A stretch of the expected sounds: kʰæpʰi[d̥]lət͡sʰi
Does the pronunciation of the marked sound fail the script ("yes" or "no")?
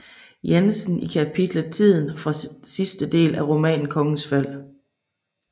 no